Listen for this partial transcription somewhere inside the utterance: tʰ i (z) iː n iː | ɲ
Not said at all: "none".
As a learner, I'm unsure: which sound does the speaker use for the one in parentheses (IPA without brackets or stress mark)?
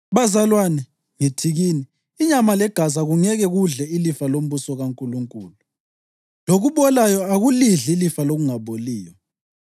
ɣ